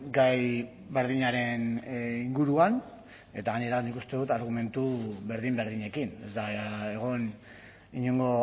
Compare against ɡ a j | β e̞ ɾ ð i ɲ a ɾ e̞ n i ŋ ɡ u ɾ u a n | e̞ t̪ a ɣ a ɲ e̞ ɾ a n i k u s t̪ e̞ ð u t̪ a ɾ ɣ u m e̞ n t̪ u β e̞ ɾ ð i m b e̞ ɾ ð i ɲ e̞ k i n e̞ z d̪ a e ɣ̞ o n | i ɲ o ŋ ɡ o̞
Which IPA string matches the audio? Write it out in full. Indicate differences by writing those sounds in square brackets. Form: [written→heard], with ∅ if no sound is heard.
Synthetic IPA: ɡ a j | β e̞ ɾ ð i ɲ a ɾ e̞ n i ŋ ɡ u ɾ u a n | e̞ t̪ a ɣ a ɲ e̞ ɾ a n i k u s t̪ e̞ ð u t̪ a ɾ ɣ u m e̞ n t̪ u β e̞ ɾ ð i m b e̞ ɾ ð i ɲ e̞ k i n e̞ z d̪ a e ɣ̞ o n | i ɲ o ŋ ɡ o̞